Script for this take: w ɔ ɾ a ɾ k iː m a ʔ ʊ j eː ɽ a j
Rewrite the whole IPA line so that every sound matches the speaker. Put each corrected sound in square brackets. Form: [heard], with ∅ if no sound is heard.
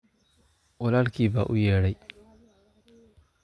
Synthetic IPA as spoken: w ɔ [l] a [l] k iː [b] a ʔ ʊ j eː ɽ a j

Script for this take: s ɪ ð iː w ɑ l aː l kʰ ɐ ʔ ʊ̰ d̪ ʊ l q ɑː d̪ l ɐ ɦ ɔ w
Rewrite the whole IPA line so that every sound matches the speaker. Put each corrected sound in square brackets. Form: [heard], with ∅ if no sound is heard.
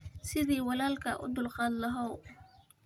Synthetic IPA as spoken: s ɪ ð iː w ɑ l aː l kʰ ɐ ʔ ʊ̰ d̪ ʊ l q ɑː d̪ l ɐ ɦ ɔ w

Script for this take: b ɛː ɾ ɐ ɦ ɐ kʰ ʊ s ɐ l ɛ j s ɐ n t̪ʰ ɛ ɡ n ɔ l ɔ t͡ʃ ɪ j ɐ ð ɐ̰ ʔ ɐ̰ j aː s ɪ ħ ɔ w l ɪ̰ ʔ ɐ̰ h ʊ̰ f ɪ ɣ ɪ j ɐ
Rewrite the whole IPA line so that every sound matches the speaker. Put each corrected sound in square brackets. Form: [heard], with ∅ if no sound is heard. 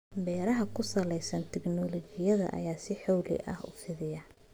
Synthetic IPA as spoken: b ɛː ɾ ɐ ɦ ɐ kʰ ʊ s ɐ l ɛ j s ɐ n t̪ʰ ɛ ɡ n ɔ l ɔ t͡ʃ ɪ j ɐ ð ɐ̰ ʔ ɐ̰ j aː s ɪ ħ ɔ w l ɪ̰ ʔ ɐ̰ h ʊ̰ f ɪ [ð] ɪ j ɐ

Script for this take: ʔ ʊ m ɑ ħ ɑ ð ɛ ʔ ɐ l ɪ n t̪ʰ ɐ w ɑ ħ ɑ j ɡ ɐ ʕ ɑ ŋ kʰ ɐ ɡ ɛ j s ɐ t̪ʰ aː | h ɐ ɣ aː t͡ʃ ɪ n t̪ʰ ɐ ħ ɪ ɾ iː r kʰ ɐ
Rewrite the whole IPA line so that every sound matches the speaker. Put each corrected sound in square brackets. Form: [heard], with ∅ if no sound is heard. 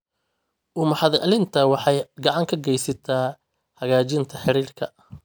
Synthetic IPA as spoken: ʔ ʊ m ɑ ħ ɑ ð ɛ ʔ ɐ l ɪ n t̪ʰ ɐ w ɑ ħ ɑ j ɡ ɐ ʕ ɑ ŋ kʰ ɐ ɡ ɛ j s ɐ t̪ʰ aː | h ɐ ɣ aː t͡ʃ ɪ n t̪ʰ ɐ ħ ɪ ɾ iː r kʰ ɐ

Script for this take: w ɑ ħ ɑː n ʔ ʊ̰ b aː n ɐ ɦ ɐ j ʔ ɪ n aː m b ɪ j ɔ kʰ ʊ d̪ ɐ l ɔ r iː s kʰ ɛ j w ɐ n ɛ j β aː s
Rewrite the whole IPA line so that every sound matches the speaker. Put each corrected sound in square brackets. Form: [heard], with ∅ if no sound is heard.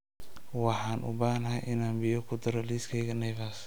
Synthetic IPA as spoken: w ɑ ħ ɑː n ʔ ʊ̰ b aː n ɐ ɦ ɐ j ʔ ɪ n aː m b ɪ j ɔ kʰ ʊ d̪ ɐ [ɾ] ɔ [l] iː s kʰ ɛ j [ɣ] ɐ n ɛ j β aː s

